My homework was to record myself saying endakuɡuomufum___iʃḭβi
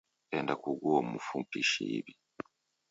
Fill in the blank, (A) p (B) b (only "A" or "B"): A